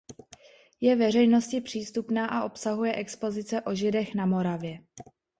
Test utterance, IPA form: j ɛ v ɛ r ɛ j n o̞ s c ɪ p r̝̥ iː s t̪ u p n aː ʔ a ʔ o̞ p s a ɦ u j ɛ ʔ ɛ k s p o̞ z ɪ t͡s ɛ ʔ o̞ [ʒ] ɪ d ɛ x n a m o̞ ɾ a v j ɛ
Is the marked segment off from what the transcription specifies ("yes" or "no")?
no